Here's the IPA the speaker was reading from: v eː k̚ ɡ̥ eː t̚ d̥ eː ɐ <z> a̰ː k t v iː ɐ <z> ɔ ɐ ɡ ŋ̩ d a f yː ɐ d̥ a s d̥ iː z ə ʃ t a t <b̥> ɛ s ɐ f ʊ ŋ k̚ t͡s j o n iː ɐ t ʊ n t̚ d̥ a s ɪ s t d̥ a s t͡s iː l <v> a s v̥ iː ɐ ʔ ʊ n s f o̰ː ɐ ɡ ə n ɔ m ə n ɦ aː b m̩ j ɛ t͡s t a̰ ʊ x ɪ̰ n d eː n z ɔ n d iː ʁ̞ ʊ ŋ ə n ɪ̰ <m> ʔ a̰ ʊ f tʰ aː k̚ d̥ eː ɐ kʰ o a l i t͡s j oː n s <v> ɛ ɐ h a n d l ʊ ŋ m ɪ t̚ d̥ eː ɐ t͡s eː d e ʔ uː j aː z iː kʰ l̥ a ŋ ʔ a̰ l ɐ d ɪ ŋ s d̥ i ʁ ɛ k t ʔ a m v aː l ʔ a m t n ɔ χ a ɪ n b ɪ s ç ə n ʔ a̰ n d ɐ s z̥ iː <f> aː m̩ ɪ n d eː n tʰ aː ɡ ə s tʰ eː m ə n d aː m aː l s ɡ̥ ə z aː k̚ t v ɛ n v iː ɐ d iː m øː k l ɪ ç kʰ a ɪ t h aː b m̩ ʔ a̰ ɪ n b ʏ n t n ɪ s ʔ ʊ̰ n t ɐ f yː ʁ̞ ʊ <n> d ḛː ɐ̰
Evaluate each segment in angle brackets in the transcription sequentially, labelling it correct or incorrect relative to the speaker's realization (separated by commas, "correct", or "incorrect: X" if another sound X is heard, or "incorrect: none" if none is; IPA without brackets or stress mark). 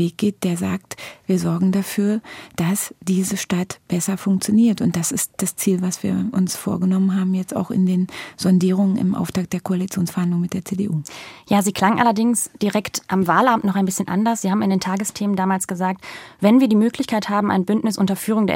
correct, correct, correct, correct, correct, incorrect: f, incorrect: h, incorrect: ŋ